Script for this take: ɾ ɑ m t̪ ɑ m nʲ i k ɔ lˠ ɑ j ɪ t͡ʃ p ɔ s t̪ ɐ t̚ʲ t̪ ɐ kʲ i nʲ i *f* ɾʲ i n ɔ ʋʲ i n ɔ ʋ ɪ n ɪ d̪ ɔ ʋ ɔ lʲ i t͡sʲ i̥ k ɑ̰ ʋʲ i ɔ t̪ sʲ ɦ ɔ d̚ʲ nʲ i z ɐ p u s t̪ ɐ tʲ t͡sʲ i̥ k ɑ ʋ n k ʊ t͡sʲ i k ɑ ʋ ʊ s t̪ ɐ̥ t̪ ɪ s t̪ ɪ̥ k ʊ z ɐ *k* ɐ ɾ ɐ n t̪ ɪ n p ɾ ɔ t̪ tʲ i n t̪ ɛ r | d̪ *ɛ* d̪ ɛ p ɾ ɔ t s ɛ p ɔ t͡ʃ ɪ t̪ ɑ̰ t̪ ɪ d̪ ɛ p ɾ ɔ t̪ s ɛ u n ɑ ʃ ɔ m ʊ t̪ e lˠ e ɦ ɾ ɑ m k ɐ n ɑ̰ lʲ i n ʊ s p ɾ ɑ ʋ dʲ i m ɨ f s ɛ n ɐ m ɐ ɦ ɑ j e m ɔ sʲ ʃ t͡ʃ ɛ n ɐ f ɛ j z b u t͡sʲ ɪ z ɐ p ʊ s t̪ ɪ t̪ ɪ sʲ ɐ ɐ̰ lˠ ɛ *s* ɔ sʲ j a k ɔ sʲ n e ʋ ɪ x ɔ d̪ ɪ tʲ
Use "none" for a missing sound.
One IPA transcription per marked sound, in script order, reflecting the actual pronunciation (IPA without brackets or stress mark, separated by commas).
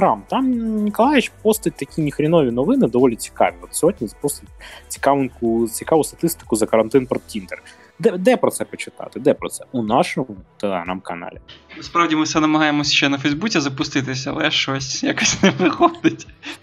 x, k, ɛ, ʃ